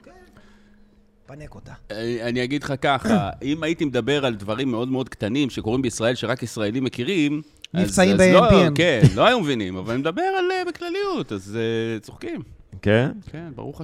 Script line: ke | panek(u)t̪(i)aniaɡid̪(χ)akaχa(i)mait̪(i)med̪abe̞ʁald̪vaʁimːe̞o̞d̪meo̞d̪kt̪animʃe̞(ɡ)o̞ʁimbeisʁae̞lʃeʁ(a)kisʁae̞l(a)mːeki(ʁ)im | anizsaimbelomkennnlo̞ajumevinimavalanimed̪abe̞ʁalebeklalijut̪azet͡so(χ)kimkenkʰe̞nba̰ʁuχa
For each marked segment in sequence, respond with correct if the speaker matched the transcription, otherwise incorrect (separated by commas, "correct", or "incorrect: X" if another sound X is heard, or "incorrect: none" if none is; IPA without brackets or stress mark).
incorrect: o, incorrect: a, correct, correct, correct, incorrect: k, correct, incorrect: i, correct, correct